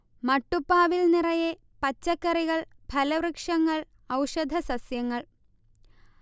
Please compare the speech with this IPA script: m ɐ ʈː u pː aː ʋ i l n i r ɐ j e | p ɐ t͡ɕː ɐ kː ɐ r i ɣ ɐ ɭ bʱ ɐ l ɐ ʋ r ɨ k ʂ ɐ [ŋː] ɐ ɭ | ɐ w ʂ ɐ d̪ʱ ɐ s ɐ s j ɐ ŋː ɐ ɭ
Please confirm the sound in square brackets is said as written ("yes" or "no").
yes